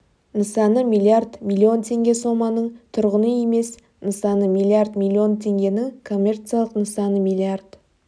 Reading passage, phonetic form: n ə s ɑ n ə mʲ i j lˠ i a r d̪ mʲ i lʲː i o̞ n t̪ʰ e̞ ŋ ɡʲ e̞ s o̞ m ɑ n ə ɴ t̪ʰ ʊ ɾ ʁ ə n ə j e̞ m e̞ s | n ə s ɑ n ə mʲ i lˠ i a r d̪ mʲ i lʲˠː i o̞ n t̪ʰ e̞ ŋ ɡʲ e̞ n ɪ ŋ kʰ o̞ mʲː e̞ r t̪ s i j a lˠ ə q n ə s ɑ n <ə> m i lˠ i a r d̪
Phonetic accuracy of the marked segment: correct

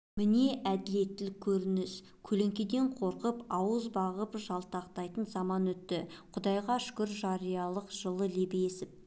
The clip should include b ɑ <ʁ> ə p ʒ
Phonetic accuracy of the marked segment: correct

